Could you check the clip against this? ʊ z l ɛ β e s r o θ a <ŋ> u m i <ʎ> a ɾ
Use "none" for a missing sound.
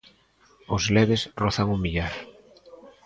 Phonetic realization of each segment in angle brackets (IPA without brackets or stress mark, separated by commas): ŋ, ʎ